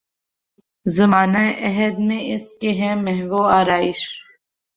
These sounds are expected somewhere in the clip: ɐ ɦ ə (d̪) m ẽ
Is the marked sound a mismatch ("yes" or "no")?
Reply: no